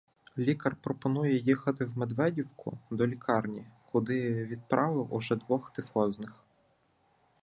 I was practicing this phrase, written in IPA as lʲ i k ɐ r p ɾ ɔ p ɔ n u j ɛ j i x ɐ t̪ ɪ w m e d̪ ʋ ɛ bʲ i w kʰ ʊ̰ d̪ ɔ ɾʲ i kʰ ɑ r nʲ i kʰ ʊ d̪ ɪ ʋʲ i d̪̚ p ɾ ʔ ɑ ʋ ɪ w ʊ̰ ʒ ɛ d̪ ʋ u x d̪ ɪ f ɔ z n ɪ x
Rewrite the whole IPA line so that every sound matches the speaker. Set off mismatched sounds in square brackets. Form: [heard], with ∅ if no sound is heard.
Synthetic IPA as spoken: lʲ i k ɐ r p ɾ ɔ p ɔ n u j ɛ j i x ɐ t̪ ɪ w m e d̪ ʋ ɛ [dʲ] i w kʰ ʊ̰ d̪ ɔ [lʲ] i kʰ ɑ r nʲ i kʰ ʊ d̪ ɪ ʋʲ i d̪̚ p ɾ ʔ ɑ ʋ ɪ w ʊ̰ ʒ ɛ d̪ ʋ [ɔ] x [t̪] ɪ f ɔ z n ɪ x